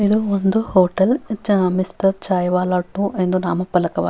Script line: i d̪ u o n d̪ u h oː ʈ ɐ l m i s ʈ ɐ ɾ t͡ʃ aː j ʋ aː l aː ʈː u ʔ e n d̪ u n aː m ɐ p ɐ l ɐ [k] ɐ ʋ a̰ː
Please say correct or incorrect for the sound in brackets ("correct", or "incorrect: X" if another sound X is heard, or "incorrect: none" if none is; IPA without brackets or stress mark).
correct